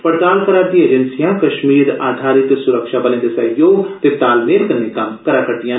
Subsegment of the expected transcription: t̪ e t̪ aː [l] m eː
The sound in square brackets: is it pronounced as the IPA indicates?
yes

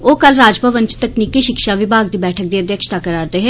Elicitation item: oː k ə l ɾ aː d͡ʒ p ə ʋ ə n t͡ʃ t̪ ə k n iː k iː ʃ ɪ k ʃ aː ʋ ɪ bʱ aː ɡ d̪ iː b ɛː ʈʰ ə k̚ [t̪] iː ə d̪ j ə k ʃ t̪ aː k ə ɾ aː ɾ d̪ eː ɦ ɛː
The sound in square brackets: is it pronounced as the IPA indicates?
no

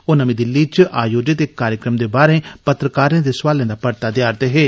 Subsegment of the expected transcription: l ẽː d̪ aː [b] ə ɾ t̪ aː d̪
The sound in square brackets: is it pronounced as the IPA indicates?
no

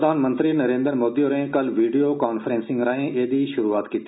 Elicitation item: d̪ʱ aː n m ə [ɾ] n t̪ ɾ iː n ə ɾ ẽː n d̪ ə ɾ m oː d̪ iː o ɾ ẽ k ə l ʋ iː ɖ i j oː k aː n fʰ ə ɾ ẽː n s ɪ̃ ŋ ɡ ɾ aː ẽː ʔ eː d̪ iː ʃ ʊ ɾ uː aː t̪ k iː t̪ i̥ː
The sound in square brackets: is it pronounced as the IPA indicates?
no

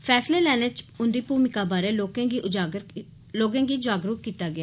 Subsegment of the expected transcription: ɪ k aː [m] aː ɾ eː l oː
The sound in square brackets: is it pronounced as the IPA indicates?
no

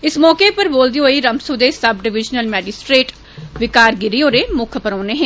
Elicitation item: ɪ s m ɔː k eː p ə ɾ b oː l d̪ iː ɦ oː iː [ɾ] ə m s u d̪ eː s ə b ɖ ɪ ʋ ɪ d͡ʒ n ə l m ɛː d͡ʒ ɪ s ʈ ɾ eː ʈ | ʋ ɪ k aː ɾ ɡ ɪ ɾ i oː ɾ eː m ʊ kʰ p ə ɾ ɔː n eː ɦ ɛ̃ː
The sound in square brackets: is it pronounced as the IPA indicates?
yes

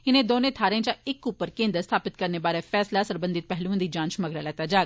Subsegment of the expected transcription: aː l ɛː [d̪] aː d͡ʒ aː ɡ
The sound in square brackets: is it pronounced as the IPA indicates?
no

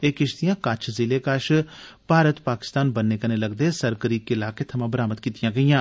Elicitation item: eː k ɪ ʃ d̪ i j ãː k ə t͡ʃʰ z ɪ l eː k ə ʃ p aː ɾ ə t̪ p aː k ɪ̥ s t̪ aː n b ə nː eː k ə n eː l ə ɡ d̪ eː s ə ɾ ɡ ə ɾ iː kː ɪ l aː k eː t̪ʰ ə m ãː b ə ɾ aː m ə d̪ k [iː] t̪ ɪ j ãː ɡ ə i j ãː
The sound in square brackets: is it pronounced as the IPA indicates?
yes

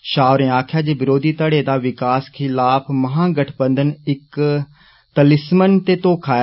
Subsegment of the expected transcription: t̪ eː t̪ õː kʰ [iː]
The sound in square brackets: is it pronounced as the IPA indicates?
no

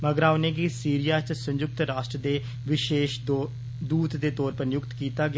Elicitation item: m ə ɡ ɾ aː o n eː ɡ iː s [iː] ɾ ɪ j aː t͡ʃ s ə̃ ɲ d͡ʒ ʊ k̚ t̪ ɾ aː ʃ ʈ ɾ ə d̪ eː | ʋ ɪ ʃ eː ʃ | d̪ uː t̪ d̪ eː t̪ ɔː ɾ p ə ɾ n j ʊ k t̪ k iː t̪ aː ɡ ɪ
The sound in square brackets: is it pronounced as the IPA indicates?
yes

